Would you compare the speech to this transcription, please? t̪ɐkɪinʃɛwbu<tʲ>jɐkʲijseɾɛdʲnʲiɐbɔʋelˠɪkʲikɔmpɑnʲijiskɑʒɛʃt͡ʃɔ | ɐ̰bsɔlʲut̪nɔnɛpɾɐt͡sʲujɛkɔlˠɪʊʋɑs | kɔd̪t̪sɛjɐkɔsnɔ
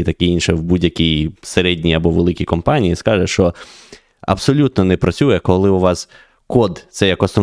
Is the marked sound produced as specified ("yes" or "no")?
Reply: no